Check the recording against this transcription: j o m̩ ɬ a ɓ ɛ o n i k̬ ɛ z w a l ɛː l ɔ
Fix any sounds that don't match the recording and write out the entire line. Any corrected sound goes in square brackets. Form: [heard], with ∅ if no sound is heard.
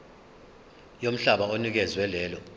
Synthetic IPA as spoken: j o m̩ ɬ a ɓ [a] o n i k̬ ɛ z w [ɛ] l ɛː l ɔ

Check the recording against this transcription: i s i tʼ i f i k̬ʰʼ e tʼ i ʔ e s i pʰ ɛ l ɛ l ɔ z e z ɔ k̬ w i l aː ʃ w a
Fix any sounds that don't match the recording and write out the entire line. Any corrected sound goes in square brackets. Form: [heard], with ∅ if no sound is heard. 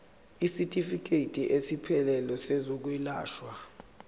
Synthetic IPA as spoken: i s i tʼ i f i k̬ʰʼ e tʼ i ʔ e s i pʰ ɛ l ɛ l ɔ [s] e z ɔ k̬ w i l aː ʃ w a

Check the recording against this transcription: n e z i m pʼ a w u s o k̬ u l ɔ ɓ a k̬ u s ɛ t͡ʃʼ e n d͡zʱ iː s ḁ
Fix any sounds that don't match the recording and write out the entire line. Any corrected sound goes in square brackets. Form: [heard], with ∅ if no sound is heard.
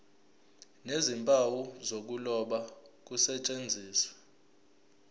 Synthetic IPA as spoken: n e z i m pʼ a w u [z] o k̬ u l ɔ ɓ a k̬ u s ɛ t͡ʃʼ e n d͡zʱ iː s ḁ

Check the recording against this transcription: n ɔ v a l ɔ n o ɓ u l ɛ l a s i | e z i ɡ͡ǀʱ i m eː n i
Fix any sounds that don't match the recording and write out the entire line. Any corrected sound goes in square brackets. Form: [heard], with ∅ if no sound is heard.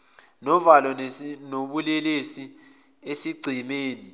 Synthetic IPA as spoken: n ɔ v a l ɔ n o ɓ u l ɛ l [e] s i | e [s] i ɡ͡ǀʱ i m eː n i

